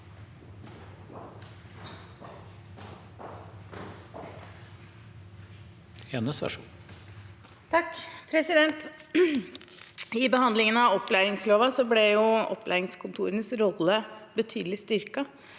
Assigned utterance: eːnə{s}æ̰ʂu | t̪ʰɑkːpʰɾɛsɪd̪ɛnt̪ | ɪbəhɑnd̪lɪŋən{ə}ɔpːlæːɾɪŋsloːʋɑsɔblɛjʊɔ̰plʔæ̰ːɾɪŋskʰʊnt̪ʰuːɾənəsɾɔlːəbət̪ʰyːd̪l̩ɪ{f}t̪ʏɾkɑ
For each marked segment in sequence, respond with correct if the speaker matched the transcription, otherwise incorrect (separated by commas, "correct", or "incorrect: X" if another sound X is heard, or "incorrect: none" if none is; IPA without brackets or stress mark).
correct, incorrect: ɑ, incorrect: s